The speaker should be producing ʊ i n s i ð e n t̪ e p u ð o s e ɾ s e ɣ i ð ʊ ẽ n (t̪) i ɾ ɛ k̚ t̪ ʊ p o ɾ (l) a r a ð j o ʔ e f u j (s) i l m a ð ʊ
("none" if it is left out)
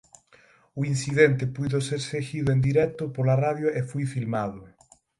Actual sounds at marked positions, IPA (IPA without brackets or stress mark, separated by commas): d̪, l, f